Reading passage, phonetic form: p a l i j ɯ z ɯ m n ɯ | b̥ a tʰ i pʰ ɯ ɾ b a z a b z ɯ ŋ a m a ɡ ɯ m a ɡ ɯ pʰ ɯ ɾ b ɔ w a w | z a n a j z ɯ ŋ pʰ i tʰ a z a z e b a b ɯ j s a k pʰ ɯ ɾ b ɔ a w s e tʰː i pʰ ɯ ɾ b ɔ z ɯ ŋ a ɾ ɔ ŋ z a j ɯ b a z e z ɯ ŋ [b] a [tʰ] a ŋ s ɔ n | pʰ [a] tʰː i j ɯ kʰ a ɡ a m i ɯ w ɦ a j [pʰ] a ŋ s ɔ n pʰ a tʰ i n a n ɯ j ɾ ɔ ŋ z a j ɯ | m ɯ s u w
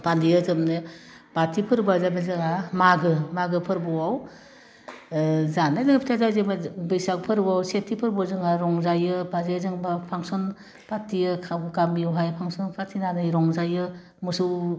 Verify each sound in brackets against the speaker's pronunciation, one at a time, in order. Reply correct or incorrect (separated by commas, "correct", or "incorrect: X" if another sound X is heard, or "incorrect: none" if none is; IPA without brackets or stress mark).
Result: correct, incorrect: pʰ, correct, correct